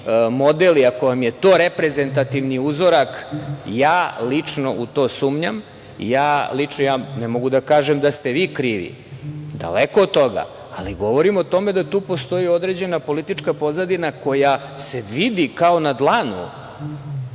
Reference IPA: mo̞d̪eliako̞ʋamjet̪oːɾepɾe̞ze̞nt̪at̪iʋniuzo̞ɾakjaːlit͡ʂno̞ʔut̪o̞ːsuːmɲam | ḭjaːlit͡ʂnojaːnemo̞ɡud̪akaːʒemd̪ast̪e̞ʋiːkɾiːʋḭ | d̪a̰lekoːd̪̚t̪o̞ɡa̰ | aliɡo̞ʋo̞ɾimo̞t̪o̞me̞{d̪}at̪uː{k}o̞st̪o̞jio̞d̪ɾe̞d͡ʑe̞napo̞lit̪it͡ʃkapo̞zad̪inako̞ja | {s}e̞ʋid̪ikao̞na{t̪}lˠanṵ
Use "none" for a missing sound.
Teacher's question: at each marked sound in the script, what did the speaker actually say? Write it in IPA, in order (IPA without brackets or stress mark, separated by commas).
d̪, p, s, d̪